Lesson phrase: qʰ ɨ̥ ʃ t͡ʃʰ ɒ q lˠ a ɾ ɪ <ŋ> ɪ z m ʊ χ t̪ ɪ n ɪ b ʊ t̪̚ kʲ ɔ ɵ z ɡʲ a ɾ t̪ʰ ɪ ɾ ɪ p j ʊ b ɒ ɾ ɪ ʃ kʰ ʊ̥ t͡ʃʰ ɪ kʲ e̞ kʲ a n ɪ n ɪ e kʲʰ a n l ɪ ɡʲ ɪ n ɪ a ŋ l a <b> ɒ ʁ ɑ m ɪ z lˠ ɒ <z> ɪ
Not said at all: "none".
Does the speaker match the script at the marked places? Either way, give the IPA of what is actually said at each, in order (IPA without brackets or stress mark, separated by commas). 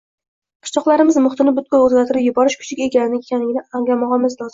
m, m, z